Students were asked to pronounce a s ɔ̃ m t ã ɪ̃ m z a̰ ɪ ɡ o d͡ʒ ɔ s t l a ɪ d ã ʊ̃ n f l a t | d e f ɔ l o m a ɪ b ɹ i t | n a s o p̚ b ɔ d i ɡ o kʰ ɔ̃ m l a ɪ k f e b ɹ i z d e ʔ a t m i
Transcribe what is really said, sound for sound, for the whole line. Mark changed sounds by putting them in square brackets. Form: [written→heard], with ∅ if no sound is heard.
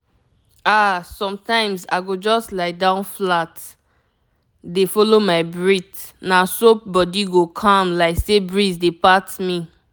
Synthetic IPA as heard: a s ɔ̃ m t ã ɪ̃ m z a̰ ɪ ɡ o d͡ʒ ɔ s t l a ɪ d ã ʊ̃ n f l a t | d e f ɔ l o m a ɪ b ɹ i t | n a s o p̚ b ɔ d i ɡ o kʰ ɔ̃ m l a ɪ k [f→s] e b ɹ i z d e [ʔ→p] a t m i